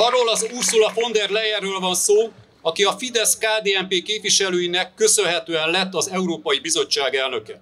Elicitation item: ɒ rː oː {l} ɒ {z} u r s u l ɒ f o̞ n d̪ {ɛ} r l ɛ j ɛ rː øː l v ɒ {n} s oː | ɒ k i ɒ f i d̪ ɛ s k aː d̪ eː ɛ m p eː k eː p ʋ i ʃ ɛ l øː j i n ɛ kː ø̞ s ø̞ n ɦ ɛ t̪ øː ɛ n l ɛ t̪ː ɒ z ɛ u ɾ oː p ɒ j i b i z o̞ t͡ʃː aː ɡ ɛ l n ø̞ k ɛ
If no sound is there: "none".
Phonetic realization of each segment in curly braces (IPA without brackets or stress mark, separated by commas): l, z, ɛ, n